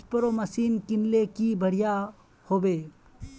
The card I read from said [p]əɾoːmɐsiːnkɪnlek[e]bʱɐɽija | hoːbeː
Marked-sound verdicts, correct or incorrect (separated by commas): correct, incorrect